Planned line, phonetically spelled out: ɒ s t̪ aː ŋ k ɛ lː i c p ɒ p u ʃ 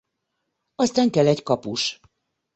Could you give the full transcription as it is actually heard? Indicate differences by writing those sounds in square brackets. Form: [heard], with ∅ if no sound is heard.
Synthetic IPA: ɒ s t̪ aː ŋ k ɛ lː [ɛ] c [k] ɒ p u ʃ